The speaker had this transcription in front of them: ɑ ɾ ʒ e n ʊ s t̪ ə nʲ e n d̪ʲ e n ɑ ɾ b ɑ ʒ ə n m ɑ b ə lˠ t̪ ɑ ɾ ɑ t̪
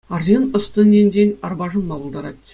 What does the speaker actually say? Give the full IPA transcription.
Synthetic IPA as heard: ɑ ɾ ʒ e n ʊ s t̪ ə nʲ e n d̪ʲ e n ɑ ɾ b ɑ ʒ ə n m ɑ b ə lˠ d̪ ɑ ɾ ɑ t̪